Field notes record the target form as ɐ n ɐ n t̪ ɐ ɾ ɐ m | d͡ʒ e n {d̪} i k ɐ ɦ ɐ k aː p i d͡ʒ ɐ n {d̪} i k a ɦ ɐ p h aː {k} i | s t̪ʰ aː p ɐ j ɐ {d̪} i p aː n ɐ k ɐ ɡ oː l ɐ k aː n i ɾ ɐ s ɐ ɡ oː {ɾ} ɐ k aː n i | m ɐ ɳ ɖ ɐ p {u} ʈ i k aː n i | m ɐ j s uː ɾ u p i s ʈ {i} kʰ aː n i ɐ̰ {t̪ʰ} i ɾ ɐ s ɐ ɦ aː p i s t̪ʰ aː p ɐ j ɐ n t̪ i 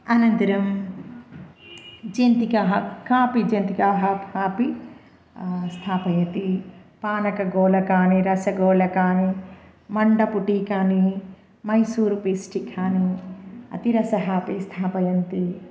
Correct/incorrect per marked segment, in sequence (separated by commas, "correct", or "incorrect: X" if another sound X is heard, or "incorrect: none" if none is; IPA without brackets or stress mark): incorrect: t̪, incorrect: t̪, incorrect: p, incorrect: t̪, incorrect: l, correct, correct, incorrect: t̪